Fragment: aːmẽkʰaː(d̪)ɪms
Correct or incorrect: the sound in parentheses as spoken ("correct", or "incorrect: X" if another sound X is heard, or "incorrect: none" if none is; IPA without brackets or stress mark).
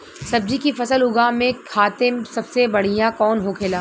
incorrect: t̪